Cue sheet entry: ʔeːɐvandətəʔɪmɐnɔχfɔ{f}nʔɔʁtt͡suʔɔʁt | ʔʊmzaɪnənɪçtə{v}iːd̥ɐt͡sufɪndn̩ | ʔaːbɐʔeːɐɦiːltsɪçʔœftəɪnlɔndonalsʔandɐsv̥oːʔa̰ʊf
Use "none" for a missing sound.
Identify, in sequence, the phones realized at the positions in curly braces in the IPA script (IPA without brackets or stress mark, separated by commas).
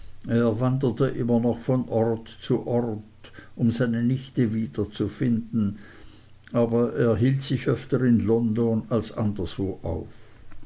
none, v